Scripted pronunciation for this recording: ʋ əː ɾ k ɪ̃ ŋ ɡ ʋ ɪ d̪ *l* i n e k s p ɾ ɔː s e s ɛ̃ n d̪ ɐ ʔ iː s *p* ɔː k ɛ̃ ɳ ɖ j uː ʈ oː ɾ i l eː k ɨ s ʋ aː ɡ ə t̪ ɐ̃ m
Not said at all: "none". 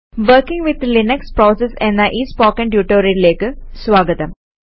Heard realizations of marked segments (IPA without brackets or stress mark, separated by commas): l, p